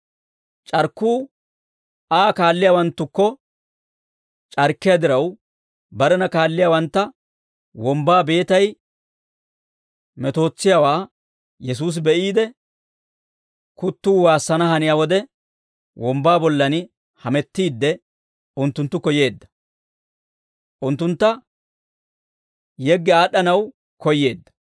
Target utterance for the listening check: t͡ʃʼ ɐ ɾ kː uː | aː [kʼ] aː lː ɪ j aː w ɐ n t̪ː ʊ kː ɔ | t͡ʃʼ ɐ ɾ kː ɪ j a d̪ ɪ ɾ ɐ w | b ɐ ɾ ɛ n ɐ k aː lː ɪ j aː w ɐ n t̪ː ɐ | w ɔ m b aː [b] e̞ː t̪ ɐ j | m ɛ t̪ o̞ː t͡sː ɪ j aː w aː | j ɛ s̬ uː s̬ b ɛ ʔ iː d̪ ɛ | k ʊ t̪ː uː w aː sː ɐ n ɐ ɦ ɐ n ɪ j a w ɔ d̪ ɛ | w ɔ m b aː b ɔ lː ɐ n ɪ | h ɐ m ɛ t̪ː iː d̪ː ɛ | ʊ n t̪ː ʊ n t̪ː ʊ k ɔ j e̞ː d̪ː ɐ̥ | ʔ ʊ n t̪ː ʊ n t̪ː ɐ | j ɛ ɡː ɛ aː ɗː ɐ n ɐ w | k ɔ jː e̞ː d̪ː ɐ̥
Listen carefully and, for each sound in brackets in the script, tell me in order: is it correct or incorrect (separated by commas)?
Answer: incorrect, correct